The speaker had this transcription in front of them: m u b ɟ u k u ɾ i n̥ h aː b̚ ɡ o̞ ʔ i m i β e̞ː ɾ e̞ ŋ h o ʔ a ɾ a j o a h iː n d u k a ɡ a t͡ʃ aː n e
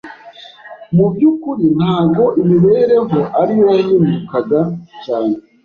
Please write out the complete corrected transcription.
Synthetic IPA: m u b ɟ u k u ɾ i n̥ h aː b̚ ɡ o̞ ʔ i m i β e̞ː ɾ e̞ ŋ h o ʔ a ɾ i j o a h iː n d u k a ɡ a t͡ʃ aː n e